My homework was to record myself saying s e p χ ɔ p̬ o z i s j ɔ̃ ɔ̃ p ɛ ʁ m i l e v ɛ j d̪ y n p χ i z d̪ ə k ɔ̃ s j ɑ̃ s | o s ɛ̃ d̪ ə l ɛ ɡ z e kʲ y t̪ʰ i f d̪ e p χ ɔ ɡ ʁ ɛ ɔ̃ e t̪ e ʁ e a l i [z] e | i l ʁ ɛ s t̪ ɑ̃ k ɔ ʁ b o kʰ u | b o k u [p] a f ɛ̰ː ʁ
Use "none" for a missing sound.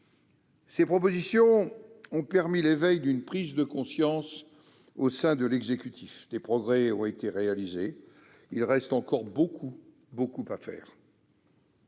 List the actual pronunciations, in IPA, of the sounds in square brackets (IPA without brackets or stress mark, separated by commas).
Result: z, p